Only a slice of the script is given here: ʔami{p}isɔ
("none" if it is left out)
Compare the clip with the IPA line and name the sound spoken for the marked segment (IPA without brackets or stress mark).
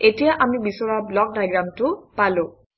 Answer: b